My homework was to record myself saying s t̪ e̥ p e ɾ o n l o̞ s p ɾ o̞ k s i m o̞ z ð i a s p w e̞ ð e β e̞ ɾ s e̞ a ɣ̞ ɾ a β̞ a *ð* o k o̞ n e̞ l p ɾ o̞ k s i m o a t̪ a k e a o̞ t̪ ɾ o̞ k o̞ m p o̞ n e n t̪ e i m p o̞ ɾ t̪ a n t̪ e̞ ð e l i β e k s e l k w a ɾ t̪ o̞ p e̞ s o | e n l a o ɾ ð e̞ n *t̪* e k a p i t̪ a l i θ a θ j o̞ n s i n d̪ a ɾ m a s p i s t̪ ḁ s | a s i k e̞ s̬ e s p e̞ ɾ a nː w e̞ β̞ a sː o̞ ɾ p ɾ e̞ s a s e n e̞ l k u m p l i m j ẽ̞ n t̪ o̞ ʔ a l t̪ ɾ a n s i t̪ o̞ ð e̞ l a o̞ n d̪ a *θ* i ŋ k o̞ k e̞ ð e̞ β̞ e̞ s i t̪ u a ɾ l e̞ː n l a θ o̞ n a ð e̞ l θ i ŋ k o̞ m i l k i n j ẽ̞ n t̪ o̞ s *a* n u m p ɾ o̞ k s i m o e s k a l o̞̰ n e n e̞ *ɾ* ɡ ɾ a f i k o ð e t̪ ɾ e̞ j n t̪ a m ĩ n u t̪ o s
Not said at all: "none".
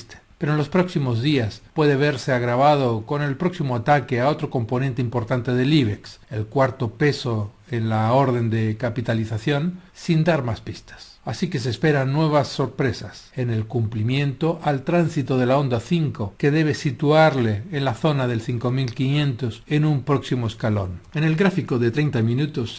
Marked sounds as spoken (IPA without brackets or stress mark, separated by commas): ð, d̪, θ, e, l